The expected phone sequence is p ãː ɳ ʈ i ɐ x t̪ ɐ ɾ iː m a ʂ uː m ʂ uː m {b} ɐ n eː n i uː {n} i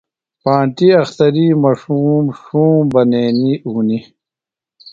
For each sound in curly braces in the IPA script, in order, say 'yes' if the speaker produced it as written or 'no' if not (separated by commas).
yes, yes